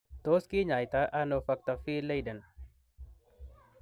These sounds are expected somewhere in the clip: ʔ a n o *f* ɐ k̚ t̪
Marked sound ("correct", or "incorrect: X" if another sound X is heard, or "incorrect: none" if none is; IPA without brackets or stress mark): correct